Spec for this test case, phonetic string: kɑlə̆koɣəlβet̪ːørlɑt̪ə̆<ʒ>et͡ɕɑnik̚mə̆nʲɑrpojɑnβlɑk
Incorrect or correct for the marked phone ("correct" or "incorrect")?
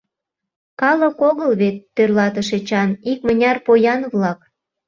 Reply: incorrect